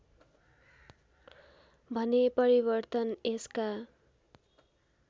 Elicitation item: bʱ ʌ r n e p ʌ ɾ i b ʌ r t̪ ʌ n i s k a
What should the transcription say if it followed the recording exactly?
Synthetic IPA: bʱ ʌ n e p ʌ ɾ i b ʌ r t̪ ʌ n e s k a